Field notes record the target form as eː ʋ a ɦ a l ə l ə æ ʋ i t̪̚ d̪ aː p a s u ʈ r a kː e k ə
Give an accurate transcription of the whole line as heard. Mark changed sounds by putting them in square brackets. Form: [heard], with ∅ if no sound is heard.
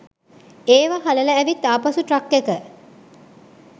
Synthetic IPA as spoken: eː ʋ a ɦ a l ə l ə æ ʋ i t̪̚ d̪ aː p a s u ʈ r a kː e k ə